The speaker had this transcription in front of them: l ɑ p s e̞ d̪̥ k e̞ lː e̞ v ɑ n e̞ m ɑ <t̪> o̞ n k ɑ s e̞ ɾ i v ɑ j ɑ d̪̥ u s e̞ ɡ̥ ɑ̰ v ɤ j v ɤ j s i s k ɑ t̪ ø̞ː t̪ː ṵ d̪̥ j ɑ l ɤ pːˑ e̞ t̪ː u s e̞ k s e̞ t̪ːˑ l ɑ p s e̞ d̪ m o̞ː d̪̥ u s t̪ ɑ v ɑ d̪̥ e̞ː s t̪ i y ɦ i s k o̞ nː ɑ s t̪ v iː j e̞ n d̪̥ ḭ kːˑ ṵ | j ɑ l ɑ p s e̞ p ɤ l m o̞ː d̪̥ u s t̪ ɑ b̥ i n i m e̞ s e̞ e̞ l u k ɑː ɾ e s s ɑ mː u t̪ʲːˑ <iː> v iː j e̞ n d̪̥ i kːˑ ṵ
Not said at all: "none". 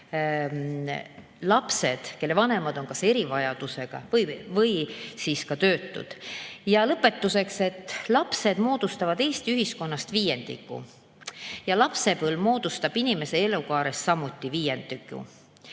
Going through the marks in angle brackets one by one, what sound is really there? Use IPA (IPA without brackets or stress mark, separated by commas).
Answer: d̪, i